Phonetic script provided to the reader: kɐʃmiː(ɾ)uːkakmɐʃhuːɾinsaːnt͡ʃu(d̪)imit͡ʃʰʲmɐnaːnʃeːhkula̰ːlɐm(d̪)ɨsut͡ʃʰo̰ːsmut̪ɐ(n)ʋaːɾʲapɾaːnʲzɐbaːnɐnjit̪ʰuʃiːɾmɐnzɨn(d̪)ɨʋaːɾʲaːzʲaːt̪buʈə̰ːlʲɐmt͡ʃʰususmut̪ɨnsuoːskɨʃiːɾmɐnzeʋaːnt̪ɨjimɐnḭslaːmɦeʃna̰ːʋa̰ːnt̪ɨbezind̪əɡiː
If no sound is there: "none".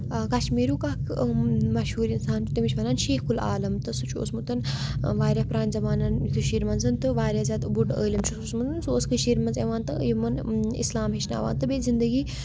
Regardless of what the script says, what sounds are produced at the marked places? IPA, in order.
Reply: ɾ, t̪, t̪, n, t̪

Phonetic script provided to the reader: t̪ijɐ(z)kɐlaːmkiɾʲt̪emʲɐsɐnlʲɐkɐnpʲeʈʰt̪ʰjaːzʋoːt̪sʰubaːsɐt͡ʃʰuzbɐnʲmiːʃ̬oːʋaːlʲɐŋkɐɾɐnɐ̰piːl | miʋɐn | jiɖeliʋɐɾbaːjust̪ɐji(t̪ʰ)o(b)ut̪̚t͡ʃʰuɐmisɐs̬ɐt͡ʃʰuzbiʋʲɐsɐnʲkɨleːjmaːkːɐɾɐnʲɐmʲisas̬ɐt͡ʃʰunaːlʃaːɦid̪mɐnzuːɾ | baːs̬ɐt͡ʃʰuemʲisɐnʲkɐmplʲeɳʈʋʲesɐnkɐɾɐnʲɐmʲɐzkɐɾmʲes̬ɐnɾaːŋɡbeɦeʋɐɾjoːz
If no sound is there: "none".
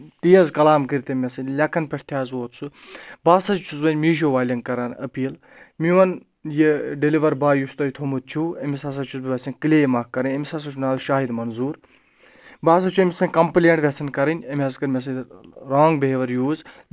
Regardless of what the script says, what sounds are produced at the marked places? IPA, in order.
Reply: z, t̪ʰ, m

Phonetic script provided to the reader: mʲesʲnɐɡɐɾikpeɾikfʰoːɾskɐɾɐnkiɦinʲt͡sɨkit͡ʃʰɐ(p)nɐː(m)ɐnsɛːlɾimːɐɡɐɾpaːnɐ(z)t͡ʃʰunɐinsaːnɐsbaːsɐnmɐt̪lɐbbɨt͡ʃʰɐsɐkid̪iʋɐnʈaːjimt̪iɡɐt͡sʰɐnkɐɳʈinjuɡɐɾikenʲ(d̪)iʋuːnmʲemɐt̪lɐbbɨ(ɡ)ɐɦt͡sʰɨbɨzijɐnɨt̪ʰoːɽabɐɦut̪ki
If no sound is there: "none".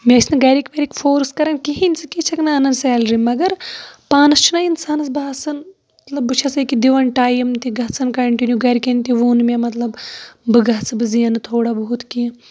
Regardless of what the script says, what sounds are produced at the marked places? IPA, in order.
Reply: k, n, s, t̪, ɡ

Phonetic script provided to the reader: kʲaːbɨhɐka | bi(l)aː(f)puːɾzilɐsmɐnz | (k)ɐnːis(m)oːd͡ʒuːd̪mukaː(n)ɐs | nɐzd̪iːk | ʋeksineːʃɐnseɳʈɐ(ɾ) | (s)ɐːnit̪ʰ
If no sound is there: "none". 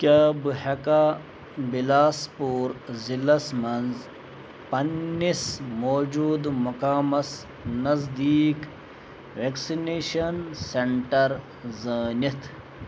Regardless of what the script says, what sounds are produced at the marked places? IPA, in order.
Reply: l, s, p, m, m, ɾ, z

